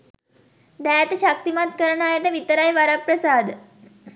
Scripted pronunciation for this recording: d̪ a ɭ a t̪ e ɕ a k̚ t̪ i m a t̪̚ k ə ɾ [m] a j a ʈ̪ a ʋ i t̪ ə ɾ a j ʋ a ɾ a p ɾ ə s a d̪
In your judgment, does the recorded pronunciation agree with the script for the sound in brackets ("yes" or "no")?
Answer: no